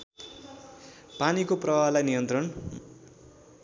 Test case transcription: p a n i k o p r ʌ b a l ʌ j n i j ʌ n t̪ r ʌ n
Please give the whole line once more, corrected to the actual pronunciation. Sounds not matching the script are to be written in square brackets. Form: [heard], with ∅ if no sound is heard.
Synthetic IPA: p a n i k o p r ʌ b a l [a] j n i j ʌ n t̪ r ʌ n